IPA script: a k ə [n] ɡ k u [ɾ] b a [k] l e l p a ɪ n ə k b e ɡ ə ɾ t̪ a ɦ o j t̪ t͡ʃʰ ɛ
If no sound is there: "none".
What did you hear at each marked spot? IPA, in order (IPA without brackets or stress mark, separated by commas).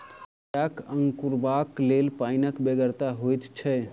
ŋ, ɾ, k